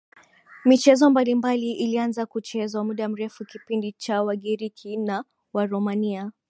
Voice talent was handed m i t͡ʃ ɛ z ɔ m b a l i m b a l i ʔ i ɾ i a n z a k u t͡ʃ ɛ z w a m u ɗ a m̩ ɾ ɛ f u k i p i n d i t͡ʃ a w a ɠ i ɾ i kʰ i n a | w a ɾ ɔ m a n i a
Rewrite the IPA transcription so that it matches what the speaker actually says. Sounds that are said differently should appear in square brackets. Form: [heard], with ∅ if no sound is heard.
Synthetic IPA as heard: m i t͡ʃ ɛ z ɔ m b a l i m b a l i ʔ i [l] i a n z a k u t͡ʃ ɛ z w a m u ɗ a m̩ ɾ ɛ f u k i p i n d i t͡ʃ a w a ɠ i ɾ i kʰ i n a | w a ɾ ɔ m a n i a